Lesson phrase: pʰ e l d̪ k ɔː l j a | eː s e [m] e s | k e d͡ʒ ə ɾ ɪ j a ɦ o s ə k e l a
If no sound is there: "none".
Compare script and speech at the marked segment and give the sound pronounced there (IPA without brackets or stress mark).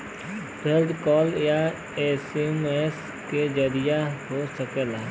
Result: m